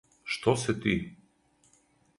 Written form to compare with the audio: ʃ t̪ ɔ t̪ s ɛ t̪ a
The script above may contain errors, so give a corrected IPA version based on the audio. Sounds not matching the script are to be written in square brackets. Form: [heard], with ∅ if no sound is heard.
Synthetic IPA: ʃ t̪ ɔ [∅] s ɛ t̪ [i]

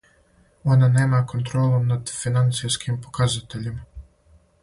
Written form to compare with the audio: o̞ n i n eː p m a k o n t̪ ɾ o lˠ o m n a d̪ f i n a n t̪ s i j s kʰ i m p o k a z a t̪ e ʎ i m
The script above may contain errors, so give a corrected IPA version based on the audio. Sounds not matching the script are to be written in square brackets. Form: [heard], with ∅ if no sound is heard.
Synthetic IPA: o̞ n [a] n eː [∅] m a k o n t̪ ɾ o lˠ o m n a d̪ f i n a n t̪ s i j s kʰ i m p o k a z a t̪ e ʎ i m

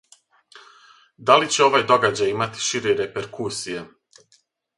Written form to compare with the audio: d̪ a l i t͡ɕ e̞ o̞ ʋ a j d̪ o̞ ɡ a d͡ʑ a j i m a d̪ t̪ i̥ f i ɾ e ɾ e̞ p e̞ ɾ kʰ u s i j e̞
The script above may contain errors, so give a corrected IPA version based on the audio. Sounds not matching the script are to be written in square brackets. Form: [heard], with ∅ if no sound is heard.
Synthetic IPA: d̪ a l i t͡ɕ e̞ o̞ ʋ a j d̪ o̞ ɡ a d͡ʑ a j i m a [∅] t̪ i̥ [ʃ] i ɾ e ɾ e̞ p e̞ ɾ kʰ u s i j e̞

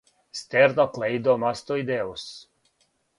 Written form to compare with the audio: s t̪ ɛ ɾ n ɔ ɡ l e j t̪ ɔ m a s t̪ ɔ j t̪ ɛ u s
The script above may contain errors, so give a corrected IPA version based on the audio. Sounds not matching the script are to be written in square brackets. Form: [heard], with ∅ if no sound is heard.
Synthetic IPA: s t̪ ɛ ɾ n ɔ [k] l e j [d̪] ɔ m a s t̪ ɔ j [d̪] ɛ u s

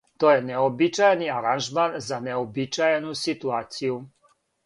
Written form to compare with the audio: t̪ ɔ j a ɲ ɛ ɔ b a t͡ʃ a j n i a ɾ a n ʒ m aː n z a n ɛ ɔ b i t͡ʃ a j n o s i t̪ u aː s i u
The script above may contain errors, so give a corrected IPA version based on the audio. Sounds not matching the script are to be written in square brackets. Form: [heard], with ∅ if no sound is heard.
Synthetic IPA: t̪ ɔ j [ɛ] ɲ ɛ ɔ b [i] t͡ʃ a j n i a ɾ a n ʒ m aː n z a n ɛ ɔ b i t͡ʃ a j n [u] s i t̪ u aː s i u

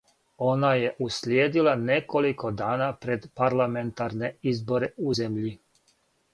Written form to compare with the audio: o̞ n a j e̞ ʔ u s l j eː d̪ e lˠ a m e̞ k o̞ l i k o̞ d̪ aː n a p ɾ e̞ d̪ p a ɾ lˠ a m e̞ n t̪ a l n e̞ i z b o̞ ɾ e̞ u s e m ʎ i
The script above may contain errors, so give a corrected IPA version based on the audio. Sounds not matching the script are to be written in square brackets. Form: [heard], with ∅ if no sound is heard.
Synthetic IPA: o̞ n a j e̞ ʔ u s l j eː d̪ [i] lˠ a [n] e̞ k o̞ l i k o̞ d̪ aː n a p ɾ e̞ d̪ p a ɾ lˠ a m e̞ n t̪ a [ɾ] n e̞ i z b o̞ ɾ e̞ u [z] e m ʎ i

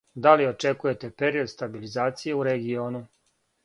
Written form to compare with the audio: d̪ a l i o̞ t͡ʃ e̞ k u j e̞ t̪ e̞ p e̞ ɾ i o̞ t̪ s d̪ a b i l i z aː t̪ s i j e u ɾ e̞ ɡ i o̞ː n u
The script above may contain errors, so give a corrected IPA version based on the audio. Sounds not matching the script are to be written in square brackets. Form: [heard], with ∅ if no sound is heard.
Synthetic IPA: d̪ a l i o̞ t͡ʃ e̞ k u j e̞ t̪ e̞ p e̞ ɾ i o̞ [d̪] s [t̪] a b i l i z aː t̪ s i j e u ɾ e̞ ɡ i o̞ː n u

